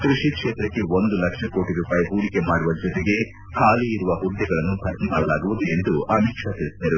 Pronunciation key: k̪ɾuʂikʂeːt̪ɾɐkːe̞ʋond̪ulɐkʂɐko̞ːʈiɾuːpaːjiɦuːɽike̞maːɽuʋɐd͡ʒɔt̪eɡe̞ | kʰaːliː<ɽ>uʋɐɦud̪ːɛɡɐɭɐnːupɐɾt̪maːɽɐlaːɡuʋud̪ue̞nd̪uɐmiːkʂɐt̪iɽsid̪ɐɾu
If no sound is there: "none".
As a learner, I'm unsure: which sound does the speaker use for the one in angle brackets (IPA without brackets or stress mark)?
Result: ɾ